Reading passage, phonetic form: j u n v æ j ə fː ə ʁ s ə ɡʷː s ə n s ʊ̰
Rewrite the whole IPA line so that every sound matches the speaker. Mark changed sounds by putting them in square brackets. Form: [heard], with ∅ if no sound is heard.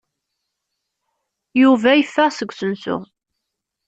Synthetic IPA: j u [∅] v æ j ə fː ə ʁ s ə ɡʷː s ə n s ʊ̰